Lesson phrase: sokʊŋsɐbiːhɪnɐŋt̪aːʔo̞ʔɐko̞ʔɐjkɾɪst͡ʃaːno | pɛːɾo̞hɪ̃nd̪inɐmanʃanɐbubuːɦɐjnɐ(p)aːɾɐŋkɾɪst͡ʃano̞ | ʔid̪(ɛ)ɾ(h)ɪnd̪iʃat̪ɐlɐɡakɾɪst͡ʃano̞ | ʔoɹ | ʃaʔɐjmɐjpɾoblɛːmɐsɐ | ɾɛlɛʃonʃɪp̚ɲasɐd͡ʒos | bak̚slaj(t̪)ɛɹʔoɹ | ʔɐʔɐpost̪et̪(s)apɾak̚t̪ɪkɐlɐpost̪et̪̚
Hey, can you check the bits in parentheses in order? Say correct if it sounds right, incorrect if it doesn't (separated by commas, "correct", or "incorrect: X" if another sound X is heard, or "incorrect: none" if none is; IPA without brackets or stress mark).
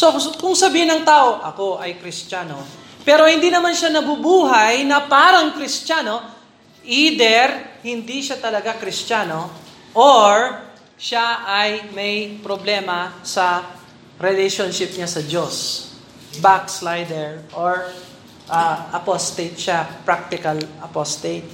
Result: correct, correct, correct, incorrect: d̪, incorrect: ʃ